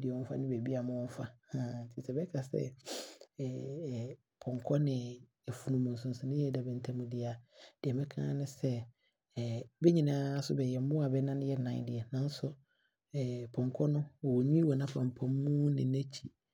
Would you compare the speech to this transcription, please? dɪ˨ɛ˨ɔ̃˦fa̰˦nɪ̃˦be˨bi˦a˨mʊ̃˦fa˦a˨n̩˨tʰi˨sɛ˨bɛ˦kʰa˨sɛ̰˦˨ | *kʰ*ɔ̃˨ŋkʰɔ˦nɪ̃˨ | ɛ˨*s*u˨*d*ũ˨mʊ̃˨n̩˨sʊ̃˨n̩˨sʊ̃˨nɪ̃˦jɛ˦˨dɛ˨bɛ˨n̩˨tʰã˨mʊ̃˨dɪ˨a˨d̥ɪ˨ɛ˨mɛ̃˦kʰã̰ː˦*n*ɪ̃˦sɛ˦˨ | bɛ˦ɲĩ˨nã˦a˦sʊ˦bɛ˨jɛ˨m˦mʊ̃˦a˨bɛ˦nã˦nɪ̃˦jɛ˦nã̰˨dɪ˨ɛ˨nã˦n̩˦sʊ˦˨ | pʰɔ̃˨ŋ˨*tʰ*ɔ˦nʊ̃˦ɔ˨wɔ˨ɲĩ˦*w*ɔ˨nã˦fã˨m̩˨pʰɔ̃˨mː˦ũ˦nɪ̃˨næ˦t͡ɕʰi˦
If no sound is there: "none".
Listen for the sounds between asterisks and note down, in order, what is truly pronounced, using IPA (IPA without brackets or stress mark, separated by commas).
pʰ, f, n, n, kʰ, w